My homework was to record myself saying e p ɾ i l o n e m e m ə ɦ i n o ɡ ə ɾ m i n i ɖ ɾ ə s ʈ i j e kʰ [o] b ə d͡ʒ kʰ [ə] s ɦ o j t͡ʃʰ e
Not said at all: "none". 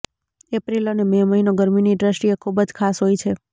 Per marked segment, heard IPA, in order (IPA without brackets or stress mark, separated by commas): u, a